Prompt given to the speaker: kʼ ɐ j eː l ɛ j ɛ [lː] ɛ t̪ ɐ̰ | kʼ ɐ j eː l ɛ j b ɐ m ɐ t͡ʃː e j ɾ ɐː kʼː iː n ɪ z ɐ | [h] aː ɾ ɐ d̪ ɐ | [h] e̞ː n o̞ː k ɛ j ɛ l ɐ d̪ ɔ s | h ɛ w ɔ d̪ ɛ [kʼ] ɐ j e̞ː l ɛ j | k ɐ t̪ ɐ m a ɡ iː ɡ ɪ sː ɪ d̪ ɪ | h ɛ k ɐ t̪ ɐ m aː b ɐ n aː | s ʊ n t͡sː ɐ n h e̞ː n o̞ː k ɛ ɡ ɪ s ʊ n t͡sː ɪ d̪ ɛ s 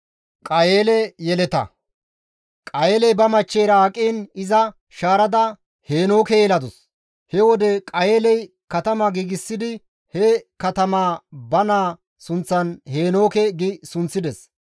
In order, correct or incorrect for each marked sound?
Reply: incorrect, incorrect, correct, correct

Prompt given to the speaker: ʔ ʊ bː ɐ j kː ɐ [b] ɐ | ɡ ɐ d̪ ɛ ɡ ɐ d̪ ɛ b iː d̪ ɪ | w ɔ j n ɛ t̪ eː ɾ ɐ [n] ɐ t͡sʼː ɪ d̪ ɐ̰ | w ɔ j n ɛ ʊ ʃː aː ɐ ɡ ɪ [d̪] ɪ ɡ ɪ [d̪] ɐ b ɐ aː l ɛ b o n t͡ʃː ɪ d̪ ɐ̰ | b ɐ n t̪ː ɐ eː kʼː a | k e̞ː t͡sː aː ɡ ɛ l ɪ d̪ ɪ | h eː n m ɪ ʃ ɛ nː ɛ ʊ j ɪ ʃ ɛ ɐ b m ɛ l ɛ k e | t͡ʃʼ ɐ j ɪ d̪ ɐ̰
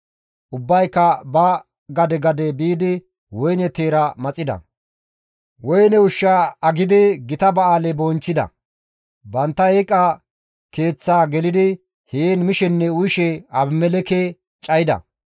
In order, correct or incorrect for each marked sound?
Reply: correct, incorrect, correct, incorrect

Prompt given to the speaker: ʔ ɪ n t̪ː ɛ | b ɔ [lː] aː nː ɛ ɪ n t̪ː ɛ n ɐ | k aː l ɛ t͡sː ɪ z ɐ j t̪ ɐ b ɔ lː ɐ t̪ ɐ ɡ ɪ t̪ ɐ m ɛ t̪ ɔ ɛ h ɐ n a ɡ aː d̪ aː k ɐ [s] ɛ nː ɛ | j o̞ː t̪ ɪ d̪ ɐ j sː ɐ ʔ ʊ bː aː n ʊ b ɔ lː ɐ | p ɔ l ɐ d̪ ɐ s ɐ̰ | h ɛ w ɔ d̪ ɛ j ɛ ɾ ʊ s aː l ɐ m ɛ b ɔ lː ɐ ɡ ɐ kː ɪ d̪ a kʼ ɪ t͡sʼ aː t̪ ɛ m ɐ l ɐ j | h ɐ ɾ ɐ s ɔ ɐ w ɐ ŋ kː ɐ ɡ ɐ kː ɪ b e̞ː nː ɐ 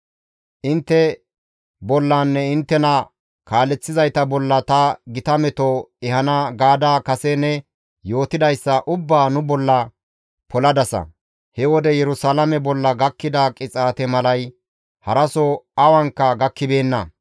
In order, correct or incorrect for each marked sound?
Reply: correct, correct

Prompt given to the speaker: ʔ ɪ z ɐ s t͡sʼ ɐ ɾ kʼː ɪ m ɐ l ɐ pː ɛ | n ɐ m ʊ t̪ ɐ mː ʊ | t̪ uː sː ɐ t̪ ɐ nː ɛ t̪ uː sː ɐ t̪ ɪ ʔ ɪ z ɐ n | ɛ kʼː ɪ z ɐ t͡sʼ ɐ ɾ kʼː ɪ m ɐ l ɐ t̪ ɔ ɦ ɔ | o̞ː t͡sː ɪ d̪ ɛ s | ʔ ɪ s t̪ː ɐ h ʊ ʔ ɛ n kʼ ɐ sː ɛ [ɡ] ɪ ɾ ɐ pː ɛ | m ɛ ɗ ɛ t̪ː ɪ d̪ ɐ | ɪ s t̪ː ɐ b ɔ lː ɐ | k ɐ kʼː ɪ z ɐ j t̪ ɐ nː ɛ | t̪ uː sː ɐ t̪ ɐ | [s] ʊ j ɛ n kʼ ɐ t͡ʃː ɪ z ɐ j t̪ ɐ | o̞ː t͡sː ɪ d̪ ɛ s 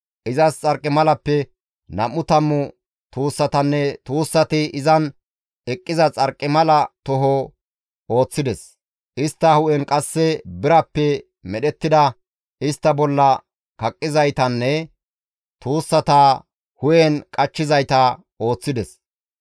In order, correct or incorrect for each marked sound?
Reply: incorrect, incorrect

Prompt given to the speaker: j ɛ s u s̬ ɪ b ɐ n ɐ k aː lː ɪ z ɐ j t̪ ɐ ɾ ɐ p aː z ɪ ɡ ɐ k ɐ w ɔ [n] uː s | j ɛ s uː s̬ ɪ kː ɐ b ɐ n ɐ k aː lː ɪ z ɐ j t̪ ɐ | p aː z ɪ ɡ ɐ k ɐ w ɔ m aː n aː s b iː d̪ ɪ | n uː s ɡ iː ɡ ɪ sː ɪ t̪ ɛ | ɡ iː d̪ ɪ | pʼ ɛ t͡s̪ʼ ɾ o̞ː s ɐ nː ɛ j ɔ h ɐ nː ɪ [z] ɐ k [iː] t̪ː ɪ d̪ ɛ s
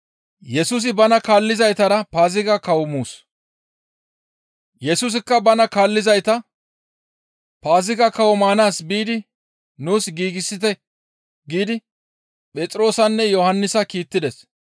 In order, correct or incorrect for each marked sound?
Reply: incorrect, incorrect, correct

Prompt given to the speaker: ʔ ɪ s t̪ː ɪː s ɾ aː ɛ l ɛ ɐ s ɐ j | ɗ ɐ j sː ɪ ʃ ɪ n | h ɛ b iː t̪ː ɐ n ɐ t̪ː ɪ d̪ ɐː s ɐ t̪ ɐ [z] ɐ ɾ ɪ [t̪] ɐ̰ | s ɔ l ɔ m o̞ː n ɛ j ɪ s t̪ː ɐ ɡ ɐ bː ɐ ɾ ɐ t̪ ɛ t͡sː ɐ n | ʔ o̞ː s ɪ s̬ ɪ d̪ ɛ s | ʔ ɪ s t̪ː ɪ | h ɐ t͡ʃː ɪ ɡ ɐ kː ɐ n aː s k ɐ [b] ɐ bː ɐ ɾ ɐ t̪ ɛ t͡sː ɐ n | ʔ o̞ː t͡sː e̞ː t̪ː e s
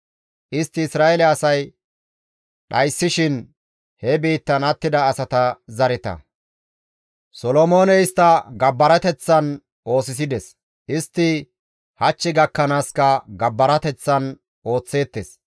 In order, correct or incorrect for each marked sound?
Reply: correct, correct, incorrect

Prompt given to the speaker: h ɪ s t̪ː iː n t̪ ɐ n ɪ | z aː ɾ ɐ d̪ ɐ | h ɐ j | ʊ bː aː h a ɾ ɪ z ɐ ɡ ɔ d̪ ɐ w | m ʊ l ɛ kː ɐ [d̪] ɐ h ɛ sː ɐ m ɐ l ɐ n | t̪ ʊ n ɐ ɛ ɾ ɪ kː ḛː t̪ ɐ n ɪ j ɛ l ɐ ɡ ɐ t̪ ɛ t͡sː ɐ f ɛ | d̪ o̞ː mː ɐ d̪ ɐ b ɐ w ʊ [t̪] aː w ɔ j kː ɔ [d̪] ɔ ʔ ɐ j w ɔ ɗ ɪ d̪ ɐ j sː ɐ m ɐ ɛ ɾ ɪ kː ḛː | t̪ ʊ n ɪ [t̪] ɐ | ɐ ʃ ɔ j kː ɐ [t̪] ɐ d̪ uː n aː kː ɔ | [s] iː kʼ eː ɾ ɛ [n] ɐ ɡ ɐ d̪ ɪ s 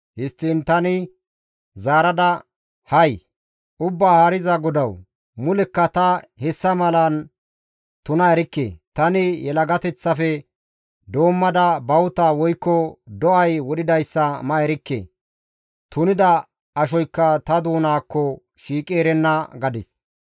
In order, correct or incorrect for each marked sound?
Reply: incorrect, correct, correct, incorrect, correct, incorrect, incorrect

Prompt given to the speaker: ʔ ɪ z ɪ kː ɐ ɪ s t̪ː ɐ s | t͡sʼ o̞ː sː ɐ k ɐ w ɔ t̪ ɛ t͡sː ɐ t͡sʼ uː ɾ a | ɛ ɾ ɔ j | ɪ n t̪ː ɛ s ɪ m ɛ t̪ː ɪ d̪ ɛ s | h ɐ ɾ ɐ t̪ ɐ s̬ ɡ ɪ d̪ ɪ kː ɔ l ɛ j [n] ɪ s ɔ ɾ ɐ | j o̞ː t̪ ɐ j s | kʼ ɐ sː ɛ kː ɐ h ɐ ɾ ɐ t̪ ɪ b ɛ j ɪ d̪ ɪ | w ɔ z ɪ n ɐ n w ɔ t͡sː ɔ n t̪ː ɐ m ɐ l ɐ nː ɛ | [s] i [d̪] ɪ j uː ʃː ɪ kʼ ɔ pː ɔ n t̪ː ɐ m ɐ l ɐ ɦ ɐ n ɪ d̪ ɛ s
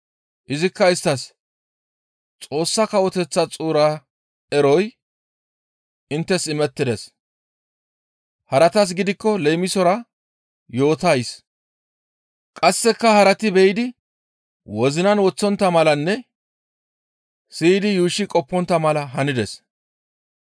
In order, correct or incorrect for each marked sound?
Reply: incorrect, correct, correct

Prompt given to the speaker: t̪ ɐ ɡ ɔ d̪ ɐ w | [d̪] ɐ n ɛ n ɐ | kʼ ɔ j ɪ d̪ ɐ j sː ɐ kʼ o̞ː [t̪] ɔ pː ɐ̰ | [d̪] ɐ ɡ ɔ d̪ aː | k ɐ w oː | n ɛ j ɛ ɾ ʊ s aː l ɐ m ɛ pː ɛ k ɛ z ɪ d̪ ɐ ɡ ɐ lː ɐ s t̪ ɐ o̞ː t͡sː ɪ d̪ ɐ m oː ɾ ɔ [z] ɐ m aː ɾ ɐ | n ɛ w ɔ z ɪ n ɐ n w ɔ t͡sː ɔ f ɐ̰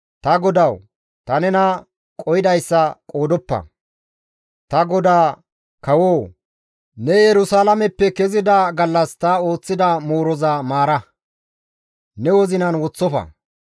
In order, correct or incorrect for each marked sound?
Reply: incorrect, incorrect, incorrect, correct

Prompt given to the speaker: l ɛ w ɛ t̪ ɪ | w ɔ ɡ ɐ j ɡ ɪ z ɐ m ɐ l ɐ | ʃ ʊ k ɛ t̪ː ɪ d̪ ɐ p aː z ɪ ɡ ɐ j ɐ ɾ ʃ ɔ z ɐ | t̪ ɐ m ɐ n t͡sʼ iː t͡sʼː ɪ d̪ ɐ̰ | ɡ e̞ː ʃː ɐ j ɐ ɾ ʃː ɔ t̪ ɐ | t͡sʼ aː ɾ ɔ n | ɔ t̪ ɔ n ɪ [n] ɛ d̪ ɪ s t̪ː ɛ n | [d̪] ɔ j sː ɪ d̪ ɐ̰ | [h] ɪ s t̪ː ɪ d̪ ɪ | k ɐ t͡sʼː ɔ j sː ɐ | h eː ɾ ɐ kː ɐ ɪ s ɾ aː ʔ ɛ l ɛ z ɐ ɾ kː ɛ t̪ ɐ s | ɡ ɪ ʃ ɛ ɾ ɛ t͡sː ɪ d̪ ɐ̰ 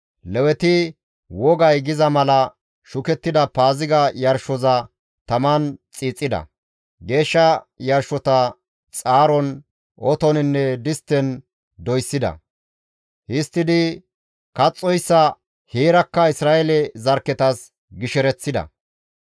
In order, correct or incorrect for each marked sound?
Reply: incorrect, correct, correct

